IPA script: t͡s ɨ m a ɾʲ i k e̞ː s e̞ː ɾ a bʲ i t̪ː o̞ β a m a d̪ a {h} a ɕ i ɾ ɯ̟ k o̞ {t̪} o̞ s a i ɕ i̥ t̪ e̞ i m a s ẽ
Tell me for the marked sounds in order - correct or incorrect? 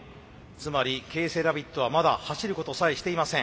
correct, correct

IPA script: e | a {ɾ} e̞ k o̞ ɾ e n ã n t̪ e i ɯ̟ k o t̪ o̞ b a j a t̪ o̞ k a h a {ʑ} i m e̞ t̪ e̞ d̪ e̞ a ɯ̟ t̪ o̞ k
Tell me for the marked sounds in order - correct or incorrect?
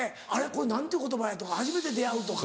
correct, correct

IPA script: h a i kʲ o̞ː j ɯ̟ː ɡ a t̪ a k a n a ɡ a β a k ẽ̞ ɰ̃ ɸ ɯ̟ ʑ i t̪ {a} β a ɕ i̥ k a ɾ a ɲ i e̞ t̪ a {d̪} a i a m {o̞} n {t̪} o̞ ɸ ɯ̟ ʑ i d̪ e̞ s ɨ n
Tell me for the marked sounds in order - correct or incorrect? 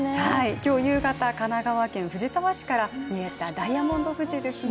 correct, correct, incorrect: õ̞, incorrect: d̪

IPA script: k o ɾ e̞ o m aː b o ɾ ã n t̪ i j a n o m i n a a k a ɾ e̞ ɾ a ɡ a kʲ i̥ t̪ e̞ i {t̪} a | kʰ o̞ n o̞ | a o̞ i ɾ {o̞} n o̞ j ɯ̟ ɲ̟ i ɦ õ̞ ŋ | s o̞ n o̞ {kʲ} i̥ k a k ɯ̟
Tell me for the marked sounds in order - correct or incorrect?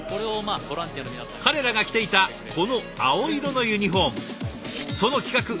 correct, correct, correct

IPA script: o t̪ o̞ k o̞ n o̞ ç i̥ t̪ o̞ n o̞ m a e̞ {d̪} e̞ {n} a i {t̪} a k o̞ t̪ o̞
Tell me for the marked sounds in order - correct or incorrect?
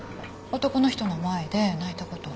correct, correct, correct

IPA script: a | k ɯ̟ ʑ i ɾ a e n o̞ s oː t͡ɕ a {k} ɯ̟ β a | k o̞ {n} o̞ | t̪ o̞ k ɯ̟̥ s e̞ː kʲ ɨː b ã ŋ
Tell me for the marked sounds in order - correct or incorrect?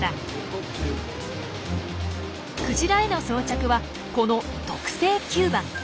correct, correct

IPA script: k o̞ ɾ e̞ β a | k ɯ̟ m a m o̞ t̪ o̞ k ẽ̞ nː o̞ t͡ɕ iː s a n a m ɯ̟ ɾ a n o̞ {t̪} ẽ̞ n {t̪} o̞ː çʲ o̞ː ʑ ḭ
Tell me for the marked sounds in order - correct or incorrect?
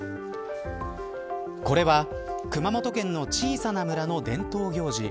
incorrect: d̪, correct

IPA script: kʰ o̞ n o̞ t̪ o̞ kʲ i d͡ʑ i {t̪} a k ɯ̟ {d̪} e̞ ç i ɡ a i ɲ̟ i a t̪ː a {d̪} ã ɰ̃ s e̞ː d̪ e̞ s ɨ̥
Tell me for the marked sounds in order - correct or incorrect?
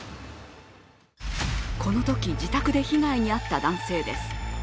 correct, correct, correct

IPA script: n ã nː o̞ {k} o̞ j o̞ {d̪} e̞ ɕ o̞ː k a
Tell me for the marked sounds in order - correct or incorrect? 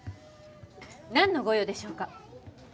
incorrect: ɡ, correct

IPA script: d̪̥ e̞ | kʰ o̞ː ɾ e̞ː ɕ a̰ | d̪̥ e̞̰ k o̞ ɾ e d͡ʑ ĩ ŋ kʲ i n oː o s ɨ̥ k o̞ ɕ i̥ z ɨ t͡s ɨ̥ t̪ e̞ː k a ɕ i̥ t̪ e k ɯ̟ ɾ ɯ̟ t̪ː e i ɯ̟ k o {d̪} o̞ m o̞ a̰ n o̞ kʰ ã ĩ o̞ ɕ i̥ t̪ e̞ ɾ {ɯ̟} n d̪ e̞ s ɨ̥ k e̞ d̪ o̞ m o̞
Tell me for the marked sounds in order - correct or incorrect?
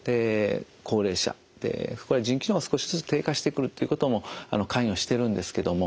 incorrect: t̪, incorrect: ɯ̟̃

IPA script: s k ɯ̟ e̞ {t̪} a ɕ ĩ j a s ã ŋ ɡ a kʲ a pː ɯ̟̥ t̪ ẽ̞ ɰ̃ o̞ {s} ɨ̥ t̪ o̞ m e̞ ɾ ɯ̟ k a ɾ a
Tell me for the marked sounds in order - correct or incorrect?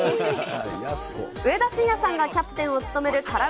incorrect: d̪, incorrect: t͡s

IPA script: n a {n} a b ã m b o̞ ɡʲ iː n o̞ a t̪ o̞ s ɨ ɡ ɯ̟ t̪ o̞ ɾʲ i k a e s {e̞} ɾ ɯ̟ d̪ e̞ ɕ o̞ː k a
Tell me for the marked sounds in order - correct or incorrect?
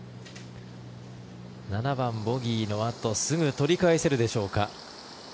correct, correct

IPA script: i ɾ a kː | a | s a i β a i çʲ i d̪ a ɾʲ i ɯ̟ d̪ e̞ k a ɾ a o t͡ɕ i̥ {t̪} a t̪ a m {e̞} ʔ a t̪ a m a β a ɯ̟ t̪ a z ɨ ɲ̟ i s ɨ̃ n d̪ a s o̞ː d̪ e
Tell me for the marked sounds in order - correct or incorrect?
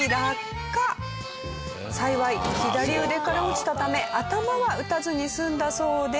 correct, correct

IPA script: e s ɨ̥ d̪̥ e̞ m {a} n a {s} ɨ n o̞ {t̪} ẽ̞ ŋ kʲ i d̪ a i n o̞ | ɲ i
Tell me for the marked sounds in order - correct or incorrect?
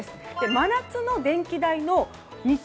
correct, incorrect: t͡s, incorrect: d̪

